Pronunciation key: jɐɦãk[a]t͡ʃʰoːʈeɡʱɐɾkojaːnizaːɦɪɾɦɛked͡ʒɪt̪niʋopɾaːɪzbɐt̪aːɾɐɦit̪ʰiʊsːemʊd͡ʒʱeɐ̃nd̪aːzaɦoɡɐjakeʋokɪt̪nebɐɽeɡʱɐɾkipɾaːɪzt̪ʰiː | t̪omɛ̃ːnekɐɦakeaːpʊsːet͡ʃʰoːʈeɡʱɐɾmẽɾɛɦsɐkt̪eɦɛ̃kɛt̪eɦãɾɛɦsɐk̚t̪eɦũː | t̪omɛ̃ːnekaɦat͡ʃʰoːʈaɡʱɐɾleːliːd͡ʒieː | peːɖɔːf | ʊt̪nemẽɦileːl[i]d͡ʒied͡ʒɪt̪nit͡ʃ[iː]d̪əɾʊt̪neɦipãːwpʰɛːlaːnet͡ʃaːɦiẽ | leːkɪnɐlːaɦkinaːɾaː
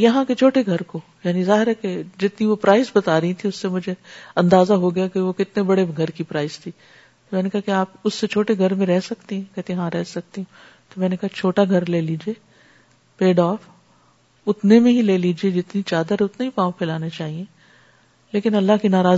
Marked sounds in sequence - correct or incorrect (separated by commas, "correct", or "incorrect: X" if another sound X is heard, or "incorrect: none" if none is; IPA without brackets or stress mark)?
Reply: incorrect: e, incorrect: iː, incorrect: aː